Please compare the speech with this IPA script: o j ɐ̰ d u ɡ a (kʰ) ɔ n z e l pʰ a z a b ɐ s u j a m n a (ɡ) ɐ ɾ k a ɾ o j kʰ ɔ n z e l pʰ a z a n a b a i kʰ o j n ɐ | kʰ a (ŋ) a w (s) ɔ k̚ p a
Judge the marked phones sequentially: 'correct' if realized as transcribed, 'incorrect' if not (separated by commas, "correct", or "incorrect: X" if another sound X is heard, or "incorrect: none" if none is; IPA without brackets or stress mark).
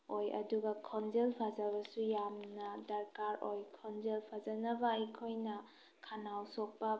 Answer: correct, incorrect: d, incorrect: n, correct